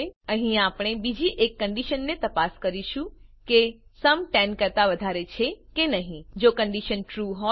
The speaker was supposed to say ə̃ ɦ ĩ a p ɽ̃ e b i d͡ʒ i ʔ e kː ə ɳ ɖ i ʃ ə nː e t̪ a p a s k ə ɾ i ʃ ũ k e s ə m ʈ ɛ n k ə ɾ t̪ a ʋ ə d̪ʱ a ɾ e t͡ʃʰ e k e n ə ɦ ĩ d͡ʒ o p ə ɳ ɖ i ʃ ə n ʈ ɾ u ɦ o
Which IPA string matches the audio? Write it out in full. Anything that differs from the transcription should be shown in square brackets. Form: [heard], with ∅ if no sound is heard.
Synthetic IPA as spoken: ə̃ ɦ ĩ a p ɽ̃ e b i d͡ʒ i ʔ e kː ə ɳ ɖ i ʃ ə nː e t̪ [ə] p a s k ə ɾ i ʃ ũ k e s ə m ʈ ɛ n k ə ɾ t̪ a ʋ ə d̪ʱ a ɾ e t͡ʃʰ e k e n ə ɦ ĩ d͡ʒ o [k] ə ɳ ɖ i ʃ ə n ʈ ɾ u ɦ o